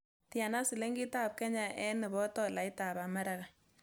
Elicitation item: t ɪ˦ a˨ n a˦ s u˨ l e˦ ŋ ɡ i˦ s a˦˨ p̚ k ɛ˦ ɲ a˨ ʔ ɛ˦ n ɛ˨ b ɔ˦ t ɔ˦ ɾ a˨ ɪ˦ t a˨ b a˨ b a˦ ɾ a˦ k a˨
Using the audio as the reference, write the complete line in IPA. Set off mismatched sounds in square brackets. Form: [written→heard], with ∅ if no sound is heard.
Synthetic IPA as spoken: t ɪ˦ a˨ n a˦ s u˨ l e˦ ŋ ɡ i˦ [s→t] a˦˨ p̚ k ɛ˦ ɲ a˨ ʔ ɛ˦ n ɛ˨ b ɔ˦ t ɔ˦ [ɾ→l] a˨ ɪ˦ t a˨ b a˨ [b→m] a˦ ɾ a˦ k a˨